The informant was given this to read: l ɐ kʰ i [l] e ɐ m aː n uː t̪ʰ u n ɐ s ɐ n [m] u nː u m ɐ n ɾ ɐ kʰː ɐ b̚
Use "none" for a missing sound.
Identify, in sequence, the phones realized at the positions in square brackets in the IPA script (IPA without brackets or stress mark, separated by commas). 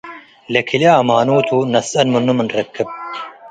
l, m